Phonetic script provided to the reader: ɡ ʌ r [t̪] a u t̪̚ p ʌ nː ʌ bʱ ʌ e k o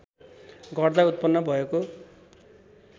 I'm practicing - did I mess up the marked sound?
yes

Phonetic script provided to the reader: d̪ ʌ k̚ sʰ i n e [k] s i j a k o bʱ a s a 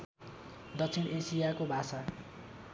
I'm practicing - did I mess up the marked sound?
yes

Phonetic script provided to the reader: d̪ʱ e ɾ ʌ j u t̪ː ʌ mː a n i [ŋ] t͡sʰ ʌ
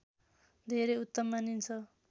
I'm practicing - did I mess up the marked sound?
yes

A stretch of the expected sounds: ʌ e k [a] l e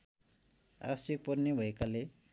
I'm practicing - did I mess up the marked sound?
no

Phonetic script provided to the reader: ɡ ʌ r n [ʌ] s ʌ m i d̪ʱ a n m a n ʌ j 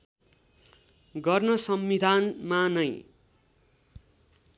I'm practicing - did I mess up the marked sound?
no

